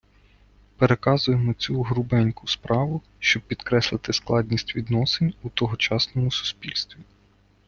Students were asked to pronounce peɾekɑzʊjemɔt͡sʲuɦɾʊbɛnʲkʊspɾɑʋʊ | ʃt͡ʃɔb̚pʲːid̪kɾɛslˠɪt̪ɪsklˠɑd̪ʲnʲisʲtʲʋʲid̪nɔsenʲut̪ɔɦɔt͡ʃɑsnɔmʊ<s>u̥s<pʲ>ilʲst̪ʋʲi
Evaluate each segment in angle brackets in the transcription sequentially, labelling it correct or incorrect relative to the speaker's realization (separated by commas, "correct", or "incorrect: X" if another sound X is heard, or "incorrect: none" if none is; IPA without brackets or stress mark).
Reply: correct, correct